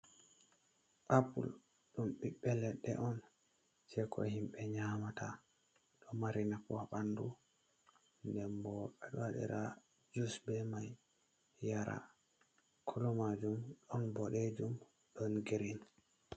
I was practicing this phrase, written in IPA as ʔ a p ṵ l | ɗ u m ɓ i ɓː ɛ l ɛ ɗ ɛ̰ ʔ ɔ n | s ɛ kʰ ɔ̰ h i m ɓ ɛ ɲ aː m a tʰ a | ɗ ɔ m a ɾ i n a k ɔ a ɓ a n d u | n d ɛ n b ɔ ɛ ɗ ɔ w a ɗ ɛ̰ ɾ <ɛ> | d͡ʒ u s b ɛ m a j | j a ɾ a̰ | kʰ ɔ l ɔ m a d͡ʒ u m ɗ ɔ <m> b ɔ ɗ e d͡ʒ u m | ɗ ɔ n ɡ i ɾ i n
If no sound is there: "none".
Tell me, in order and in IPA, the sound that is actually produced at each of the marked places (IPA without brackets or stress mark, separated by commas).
a, n